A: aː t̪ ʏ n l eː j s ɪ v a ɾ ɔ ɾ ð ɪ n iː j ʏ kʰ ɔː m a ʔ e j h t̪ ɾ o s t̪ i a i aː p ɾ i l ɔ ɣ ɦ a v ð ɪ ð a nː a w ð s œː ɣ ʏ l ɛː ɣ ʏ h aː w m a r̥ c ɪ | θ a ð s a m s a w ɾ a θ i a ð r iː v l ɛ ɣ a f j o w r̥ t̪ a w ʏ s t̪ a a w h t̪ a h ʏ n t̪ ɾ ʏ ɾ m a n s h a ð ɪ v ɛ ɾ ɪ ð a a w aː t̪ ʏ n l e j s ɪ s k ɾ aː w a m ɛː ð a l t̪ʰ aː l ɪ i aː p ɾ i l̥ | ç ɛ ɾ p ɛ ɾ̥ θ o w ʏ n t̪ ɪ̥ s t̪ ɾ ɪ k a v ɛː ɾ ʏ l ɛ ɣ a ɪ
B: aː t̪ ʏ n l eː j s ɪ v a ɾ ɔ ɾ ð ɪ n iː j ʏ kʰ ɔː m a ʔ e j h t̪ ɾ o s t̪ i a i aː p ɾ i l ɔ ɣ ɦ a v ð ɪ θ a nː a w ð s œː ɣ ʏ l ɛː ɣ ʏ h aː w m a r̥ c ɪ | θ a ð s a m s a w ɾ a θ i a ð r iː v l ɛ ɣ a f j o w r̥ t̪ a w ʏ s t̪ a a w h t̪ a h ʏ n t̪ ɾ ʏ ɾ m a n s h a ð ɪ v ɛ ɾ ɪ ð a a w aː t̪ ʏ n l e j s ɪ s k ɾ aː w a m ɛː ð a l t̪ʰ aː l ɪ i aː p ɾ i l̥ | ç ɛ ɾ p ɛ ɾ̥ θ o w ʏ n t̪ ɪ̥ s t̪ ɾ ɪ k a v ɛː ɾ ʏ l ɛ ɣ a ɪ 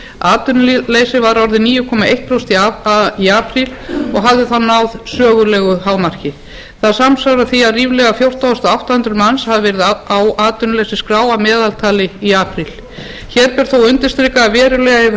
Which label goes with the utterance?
B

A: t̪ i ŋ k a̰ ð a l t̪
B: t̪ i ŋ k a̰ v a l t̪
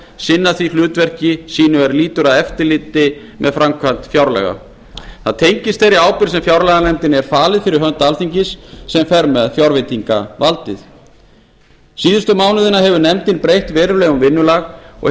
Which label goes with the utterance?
B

